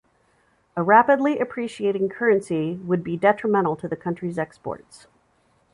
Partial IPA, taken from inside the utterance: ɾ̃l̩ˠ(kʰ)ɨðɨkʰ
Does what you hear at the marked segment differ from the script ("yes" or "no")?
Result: yes